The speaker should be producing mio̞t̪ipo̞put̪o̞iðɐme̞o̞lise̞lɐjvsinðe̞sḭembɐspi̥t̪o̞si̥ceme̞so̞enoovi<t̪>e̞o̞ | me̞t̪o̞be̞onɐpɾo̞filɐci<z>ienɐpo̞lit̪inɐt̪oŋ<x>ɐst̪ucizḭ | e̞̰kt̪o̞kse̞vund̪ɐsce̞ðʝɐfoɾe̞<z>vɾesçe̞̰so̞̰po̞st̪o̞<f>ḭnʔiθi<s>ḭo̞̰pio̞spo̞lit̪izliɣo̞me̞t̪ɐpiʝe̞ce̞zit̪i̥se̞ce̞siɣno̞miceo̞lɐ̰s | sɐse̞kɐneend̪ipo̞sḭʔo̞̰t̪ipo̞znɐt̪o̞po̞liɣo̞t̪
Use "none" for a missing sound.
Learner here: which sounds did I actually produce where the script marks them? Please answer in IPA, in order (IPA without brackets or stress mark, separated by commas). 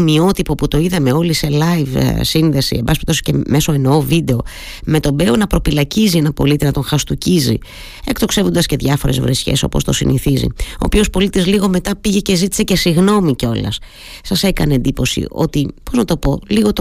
d̪, z, x, z, s, z